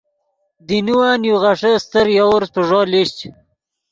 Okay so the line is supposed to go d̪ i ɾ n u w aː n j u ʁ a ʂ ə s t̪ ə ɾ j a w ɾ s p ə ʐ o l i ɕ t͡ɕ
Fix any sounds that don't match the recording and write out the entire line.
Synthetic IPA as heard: d̪ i n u w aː n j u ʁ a ʂ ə s t̪ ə ɾ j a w ɾ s p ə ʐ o l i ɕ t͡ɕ